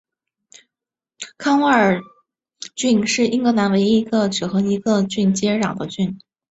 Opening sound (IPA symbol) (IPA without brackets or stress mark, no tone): kʰ